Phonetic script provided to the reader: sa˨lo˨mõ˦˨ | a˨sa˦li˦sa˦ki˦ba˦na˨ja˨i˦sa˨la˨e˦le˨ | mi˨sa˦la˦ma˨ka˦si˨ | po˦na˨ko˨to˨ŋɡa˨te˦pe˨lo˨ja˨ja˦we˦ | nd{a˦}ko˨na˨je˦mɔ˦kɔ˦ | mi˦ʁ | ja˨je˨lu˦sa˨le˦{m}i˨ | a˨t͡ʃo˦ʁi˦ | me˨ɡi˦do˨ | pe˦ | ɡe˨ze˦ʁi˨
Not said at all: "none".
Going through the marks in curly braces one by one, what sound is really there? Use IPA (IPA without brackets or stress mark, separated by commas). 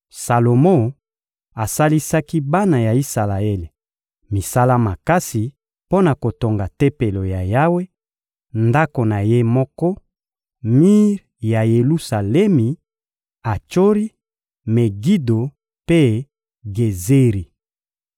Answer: a˦, m